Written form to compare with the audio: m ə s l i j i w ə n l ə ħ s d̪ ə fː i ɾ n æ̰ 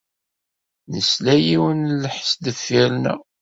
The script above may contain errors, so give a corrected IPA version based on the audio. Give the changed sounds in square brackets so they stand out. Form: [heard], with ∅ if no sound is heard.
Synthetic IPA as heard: [n] ə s l [æ] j i w ə n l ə ħ s d̪ ə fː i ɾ n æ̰